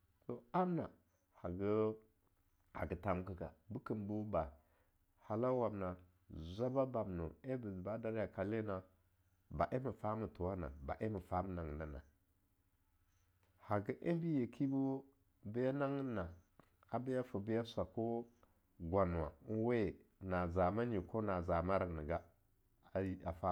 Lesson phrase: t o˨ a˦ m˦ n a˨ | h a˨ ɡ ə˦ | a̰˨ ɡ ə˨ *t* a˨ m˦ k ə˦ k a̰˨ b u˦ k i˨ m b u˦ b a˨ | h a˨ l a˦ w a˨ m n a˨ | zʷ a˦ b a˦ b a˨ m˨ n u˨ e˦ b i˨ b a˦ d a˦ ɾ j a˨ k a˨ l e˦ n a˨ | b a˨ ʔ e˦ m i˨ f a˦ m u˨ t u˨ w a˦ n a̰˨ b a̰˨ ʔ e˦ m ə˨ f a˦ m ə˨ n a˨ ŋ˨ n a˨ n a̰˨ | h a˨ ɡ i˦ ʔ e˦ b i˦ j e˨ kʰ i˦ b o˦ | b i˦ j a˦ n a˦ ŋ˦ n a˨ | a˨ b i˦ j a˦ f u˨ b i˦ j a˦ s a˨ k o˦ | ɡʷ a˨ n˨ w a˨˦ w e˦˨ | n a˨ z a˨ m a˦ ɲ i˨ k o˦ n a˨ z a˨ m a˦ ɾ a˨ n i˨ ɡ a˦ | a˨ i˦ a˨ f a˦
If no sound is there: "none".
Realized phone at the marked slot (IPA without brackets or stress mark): t